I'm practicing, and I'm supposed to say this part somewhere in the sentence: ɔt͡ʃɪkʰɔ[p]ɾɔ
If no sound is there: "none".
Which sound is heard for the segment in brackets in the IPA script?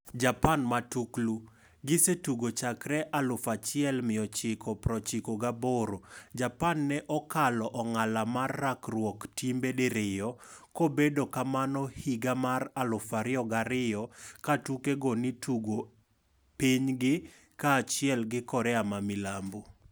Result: p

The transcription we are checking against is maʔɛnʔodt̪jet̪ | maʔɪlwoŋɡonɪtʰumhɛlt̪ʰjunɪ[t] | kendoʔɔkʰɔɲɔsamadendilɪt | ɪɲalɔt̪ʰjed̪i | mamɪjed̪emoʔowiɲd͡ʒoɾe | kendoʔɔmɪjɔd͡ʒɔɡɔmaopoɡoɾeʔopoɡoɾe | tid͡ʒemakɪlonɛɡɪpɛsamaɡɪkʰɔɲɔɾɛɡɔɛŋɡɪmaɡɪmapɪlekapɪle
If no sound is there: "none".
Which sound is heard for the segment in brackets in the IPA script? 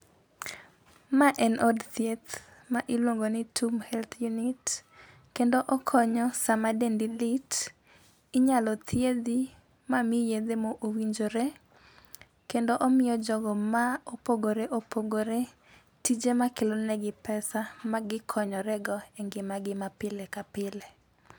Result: t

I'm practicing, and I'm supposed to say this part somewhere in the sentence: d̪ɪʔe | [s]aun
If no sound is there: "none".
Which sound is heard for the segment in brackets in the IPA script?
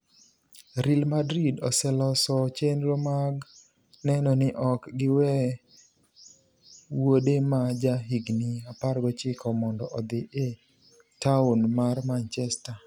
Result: t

